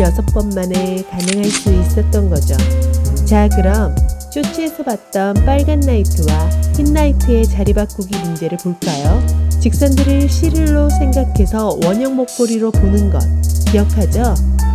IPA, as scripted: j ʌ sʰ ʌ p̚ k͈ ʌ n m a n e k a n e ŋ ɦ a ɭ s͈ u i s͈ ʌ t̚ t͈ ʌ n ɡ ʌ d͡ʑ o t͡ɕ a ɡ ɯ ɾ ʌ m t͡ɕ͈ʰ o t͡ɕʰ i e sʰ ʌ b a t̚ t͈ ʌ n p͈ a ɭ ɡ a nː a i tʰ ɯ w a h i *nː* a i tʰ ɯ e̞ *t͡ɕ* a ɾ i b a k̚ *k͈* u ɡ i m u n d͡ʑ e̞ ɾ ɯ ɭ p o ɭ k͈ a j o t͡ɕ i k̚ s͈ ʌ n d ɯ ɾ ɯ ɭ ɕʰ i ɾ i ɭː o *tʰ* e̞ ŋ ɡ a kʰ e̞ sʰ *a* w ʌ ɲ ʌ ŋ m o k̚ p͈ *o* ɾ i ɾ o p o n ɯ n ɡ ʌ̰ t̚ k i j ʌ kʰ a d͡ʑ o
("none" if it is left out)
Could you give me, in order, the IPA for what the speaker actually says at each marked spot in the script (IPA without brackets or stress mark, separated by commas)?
nː, t͡ɕ, k͈, sʰ, ʌ, o